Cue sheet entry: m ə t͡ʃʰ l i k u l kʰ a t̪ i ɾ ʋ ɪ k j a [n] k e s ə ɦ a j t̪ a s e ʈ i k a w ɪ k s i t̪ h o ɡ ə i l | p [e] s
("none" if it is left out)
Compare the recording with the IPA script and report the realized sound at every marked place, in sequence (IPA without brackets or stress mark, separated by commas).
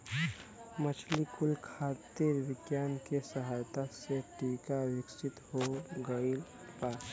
n, a